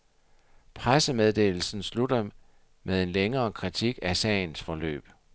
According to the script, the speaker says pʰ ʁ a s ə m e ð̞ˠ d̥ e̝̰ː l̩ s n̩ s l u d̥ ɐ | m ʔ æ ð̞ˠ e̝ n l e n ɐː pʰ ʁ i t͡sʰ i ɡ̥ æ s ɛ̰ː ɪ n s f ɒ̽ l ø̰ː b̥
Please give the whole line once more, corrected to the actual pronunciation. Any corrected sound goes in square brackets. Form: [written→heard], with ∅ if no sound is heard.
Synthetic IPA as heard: pʰ ʁ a s ə m e ð̞ˠ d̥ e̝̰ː l̩ s n̩ s l u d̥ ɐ | m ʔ [æ→e] ð̞ˠ e̝ n l e [n→ŋ] ɐː [pʰ→kʰ] ʁ i t͡sʰ i ɡ̥ æ s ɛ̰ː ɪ n s f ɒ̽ l ø̰ː b̥